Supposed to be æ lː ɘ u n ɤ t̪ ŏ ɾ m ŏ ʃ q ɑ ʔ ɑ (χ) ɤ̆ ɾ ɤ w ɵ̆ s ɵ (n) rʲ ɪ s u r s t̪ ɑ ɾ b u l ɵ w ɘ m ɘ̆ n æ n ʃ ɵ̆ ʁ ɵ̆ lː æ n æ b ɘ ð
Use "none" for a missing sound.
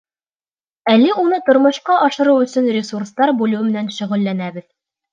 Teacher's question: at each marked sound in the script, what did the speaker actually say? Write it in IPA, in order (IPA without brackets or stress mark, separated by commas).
ʃ, n